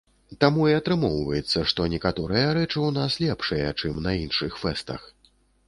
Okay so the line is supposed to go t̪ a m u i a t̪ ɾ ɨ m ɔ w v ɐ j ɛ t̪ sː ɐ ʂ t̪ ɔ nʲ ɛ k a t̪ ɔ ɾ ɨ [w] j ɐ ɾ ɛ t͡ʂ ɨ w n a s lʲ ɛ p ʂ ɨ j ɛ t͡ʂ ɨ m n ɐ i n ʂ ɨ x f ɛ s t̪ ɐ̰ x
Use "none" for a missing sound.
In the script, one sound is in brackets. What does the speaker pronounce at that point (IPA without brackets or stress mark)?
none